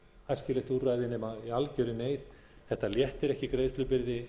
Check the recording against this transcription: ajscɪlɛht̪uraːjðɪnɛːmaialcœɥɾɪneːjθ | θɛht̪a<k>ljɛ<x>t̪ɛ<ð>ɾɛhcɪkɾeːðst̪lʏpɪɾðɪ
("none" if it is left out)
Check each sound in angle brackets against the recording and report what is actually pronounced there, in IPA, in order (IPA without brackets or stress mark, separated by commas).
none, h, none